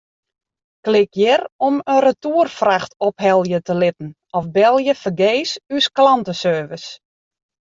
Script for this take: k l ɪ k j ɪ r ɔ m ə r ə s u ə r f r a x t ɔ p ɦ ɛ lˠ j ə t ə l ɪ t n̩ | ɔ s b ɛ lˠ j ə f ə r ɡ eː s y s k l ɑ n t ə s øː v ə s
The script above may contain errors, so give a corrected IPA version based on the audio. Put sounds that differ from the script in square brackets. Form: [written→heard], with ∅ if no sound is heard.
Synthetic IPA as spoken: k l ɪ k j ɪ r ɔ m ə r ə [s→t] u ə r f r a x t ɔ p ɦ ɛ lˠ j ə t ə l ɪ t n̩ | ɔ [s→f] b ɛ lˠ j ə f ə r ɡ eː s y s k l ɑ n t ə s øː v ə s